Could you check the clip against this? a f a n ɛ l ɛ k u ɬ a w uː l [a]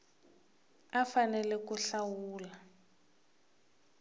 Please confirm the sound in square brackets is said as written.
yes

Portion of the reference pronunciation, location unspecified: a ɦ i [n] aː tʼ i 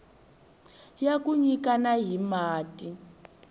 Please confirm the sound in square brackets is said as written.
no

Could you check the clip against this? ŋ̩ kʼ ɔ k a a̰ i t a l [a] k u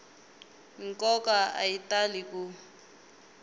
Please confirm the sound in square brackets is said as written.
no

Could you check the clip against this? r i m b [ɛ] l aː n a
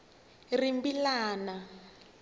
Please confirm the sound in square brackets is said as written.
no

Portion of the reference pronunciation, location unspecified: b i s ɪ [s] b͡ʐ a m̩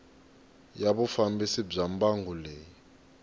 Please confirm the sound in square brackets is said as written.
no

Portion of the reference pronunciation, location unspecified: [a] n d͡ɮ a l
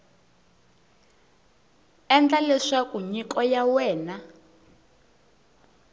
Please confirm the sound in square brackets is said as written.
no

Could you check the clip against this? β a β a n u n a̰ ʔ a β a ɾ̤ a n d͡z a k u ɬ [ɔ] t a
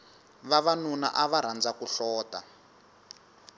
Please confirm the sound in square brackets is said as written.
no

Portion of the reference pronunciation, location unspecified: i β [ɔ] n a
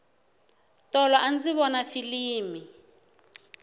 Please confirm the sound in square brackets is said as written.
yes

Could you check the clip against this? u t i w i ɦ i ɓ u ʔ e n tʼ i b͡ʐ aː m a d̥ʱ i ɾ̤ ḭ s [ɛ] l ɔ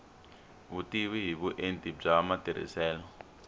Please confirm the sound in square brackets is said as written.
no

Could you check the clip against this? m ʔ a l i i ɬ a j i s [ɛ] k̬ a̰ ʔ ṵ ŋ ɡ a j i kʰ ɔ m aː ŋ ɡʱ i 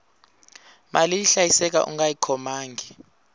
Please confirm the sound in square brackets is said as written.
yes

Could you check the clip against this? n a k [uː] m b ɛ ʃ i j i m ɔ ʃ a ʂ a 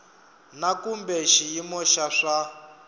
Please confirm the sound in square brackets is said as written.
no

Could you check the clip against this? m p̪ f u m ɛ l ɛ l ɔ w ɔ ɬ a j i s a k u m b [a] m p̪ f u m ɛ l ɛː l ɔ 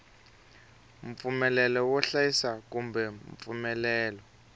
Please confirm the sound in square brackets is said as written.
no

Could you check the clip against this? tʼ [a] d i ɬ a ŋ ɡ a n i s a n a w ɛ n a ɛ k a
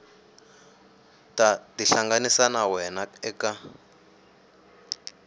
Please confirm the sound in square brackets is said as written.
yes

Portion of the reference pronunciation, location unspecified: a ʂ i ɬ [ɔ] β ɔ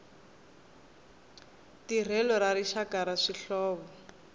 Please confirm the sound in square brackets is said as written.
no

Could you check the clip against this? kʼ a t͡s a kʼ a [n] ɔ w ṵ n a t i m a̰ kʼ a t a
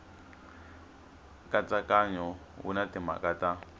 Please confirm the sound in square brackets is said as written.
no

